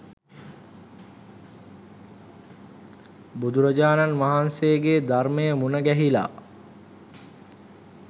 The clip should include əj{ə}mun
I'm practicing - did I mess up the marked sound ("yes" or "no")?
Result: no